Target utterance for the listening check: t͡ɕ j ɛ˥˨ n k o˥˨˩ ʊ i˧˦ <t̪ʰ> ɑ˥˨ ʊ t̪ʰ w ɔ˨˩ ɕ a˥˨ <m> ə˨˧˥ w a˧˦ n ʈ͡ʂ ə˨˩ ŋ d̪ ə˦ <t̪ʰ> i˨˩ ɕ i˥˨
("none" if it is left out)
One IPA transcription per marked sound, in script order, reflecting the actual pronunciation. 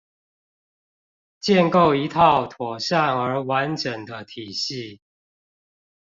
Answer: t̪ʰ, ŋ, t̪ʰ

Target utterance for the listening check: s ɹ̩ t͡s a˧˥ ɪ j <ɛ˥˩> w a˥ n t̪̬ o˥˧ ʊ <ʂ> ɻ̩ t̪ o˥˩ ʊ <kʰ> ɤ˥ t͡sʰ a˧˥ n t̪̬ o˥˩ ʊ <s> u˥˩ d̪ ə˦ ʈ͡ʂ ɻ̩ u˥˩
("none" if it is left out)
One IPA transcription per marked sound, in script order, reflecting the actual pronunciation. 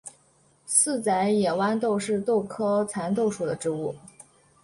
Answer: ɛ˨˩, ʂ, kʰ, ʂ

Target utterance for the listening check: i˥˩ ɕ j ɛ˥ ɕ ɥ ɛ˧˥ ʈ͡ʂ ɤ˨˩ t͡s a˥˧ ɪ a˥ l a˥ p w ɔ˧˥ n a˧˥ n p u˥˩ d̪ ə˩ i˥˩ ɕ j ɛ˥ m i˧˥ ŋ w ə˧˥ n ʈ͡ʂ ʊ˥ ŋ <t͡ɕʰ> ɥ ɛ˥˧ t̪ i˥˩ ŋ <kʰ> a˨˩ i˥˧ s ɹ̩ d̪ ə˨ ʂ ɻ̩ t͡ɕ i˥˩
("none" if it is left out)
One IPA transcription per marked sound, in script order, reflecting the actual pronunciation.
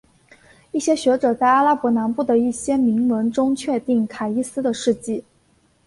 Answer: t͡ɕʰ, kʰ

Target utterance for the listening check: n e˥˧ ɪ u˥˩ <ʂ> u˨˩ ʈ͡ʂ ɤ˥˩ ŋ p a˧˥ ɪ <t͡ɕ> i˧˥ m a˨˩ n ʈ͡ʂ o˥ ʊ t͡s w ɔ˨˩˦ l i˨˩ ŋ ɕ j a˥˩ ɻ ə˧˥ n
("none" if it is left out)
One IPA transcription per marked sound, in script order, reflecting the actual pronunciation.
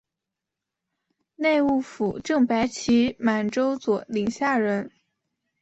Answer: f, t͡ɕʰ

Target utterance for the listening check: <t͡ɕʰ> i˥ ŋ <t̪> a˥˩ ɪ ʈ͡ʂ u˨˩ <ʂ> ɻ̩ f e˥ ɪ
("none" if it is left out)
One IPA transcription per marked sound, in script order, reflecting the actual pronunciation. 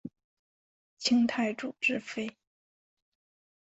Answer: t͡ɕʰ, t̪ʰ, ʈ͡ʂ

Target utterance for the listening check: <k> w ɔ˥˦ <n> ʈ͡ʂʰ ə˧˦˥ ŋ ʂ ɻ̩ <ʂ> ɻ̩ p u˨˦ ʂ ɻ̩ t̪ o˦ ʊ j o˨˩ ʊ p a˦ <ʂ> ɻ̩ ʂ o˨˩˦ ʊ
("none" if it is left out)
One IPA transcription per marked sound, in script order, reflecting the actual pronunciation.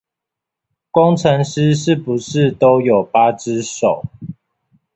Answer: k, ŋ, ʂ, ʈ͡ʂ

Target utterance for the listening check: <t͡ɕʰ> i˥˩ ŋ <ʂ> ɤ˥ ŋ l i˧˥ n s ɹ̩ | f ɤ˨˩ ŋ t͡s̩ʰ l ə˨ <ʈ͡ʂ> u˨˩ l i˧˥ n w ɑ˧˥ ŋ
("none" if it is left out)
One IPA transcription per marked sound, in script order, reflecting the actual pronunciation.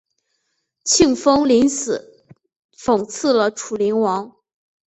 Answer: t͡ɕʰ, f, ʈ͡ʂʰ

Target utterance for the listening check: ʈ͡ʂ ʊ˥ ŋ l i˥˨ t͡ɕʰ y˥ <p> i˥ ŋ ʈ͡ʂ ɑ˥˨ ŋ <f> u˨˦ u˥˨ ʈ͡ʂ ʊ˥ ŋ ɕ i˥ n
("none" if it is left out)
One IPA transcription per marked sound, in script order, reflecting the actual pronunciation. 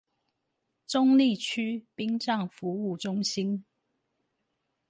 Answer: p, f

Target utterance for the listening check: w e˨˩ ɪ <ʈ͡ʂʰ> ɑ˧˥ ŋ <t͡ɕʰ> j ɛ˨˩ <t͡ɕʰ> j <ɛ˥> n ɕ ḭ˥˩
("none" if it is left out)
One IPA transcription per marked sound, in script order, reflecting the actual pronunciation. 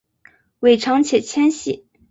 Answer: ʈ͡ʂʰ, t͡ɕʰ, t͡ɕʰ, ɛ˥

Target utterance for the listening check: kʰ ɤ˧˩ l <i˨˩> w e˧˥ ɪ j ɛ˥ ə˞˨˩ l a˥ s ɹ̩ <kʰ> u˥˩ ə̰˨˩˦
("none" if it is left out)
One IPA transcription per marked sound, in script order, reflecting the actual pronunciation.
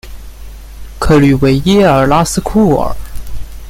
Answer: y˨˩, kʰ

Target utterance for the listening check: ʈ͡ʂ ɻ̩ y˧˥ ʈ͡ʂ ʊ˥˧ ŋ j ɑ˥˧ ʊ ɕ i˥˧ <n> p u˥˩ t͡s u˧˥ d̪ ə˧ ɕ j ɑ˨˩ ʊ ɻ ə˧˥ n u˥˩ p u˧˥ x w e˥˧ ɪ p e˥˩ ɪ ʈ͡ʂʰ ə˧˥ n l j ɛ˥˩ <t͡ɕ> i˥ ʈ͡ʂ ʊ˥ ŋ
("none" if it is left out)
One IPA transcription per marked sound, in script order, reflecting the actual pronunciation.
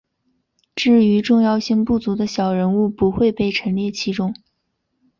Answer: ŋ, t͡ɕʰ

